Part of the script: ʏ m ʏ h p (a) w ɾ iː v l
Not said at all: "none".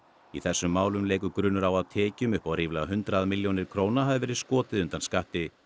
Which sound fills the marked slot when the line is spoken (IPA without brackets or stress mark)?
a